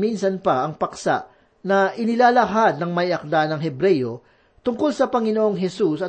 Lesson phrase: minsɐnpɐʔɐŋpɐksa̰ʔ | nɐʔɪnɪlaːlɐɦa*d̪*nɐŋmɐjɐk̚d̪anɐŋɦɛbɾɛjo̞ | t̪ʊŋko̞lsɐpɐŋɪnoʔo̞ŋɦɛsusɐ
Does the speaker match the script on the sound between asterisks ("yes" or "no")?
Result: yes